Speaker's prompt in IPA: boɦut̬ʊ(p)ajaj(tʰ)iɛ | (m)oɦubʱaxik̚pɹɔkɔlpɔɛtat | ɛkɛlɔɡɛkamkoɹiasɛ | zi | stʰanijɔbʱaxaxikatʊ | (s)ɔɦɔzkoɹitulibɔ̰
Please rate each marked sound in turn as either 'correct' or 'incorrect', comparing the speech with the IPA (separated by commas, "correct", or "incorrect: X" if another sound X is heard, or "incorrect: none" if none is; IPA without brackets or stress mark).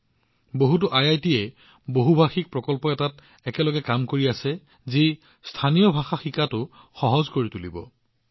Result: incorrect: ʔ, incorrect: t, incorrect: b, incorrect: x